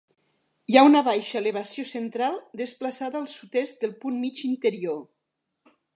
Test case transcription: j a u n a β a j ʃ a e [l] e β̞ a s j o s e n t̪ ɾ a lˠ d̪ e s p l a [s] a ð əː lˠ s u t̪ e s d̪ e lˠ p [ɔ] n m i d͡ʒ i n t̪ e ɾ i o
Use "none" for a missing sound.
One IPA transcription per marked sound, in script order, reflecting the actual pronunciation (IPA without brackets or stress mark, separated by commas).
l, s, u